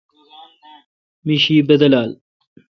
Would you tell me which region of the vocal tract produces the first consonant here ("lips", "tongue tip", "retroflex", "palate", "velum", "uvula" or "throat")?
lips